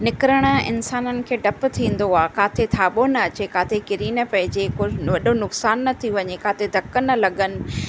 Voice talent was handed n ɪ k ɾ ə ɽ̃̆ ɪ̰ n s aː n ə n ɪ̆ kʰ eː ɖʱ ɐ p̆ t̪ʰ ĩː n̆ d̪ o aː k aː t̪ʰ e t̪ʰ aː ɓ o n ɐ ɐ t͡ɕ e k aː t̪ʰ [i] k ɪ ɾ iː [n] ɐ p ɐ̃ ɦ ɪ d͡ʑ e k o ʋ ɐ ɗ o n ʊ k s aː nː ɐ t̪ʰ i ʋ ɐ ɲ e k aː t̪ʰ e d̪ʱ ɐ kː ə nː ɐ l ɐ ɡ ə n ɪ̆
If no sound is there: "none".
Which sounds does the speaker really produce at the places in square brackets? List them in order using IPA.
e, n

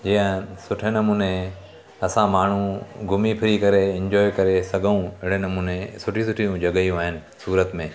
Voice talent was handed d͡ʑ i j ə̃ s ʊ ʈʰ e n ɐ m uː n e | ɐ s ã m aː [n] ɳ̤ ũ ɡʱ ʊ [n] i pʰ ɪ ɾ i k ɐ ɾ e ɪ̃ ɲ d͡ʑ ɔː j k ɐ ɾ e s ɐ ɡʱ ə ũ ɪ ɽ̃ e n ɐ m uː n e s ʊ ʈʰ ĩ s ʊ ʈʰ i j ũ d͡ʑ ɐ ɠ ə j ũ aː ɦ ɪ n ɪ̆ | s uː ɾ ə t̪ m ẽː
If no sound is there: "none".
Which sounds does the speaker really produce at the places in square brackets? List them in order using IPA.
none, m

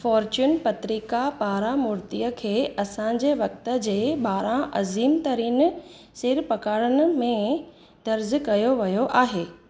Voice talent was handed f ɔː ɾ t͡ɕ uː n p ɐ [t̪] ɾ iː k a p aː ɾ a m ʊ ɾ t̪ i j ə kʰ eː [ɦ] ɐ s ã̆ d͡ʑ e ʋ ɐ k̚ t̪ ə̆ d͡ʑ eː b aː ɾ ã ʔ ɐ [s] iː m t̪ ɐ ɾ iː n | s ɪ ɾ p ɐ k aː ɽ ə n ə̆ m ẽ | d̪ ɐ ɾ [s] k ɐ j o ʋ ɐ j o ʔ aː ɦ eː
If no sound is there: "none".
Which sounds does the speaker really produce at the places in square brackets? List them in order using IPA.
t̪, none, z, z

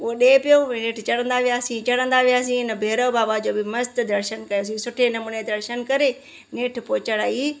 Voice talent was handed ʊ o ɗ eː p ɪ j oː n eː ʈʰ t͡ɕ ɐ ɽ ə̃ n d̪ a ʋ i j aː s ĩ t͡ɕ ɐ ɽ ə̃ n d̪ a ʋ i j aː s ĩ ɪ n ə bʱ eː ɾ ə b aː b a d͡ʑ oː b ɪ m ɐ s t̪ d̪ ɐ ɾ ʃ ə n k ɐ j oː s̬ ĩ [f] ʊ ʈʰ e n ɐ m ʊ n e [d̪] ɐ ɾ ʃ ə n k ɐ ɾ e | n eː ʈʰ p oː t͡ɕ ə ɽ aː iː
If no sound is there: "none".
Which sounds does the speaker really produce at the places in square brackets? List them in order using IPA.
s, d̪

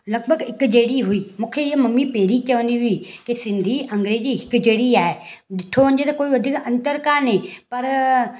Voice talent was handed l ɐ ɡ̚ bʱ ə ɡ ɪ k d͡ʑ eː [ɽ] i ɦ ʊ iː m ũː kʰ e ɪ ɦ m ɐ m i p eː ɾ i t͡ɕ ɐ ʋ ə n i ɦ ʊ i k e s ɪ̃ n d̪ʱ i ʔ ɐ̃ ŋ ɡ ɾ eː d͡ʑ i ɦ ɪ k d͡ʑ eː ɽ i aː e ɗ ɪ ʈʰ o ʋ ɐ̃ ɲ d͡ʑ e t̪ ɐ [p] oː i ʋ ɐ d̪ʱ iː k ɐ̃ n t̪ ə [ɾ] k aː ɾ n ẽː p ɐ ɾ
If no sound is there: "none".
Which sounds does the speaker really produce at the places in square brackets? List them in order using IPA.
ɽ, k, ɾ

